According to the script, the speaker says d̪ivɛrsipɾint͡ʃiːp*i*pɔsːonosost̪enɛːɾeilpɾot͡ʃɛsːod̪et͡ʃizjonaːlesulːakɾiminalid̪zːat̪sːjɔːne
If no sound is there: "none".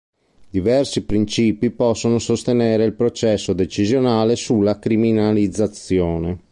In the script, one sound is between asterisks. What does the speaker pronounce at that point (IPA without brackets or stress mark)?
i